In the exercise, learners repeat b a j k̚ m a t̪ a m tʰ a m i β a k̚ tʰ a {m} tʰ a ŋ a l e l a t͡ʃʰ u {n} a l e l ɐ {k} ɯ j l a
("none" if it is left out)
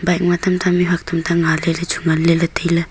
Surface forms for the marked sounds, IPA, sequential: m, ŋ, t

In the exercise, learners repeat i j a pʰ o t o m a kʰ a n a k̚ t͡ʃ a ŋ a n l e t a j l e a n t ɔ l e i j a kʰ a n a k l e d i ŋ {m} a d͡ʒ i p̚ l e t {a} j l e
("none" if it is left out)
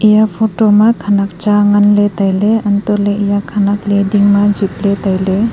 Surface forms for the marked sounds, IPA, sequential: m, a

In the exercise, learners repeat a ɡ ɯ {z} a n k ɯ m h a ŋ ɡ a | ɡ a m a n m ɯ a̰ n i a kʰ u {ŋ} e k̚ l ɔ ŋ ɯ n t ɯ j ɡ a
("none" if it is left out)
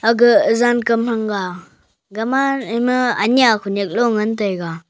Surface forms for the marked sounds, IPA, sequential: z, n

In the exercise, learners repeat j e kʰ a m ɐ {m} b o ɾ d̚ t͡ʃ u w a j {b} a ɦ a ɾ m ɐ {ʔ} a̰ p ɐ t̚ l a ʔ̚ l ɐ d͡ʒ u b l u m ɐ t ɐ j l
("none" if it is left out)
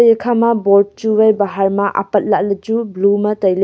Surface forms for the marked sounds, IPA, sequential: none, b, ʔ

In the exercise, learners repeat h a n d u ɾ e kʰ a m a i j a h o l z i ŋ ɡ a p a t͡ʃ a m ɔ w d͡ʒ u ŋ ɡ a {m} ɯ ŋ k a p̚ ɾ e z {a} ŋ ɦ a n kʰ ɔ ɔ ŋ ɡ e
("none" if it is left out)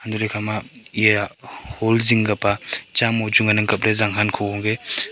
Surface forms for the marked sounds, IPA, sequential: n, a

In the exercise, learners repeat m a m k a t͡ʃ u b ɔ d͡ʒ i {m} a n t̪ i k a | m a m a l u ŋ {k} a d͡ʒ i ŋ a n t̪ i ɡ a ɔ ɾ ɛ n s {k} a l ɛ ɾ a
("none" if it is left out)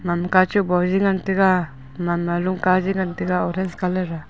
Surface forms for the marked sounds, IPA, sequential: ŋ, k, k

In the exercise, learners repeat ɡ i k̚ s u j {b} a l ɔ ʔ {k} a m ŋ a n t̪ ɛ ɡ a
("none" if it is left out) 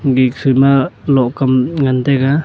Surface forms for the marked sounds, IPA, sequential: m, k

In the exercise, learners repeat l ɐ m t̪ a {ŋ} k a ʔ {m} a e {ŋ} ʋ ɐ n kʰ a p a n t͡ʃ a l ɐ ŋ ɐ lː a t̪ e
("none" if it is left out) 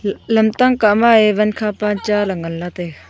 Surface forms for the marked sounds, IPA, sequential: ŋ, m, none

